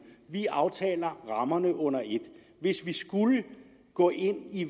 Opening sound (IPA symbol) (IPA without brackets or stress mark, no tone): ʋ